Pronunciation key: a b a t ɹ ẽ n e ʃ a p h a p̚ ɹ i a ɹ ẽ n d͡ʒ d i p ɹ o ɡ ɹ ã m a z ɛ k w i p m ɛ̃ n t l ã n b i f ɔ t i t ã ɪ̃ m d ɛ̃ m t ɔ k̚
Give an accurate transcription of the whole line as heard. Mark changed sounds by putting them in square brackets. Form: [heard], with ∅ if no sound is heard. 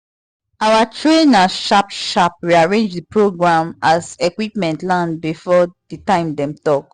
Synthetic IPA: a [w] a t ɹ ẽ n [a] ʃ a p [ʃ] a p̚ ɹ i a ɹ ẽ n d͡ʒ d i p ɹ o ɡ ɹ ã m a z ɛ k w i p m ɛ̃ n t l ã n b i f ɔ [d] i t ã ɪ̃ m d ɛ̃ m t ɔ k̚